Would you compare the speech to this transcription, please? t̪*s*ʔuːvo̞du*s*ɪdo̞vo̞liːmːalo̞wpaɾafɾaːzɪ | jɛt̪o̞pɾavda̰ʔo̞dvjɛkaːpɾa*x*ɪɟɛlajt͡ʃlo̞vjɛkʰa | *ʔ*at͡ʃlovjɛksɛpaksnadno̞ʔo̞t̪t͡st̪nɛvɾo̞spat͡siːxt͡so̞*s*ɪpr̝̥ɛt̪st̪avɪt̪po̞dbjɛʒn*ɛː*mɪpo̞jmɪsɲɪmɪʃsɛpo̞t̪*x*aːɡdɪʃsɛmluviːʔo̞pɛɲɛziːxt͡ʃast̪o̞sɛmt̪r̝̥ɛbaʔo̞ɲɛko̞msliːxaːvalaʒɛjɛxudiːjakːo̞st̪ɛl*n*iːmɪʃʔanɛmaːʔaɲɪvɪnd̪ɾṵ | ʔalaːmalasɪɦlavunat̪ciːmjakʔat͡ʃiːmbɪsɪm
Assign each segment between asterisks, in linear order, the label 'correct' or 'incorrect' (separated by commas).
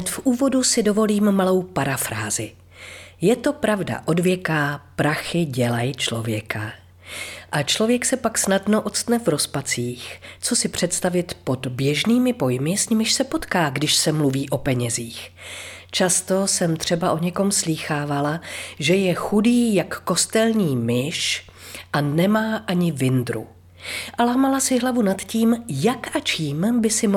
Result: incorrect, correct, correct, correct, correct, incorrect, incorrect, incorrect